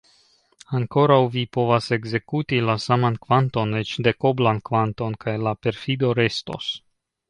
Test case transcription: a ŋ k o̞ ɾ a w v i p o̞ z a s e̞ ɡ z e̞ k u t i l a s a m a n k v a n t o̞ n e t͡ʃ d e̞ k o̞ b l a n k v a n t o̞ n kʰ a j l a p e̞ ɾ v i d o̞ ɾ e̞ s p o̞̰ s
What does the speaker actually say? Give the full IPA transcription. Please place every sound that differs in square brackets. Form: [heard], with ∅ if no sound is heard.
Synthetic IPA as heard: a ŋ k o̞ ɾ a w v i p o̞ [v] a s e̞ ɡ z e̞ k u t i l a s a m a n k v a n t o̞ n e t͡ʃ d e̞ k o̞ b l a n k v a n t o̞ n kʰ a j l a p e̞ ɾ [f] i d o̞ ɾ e̞ s [t] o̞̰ s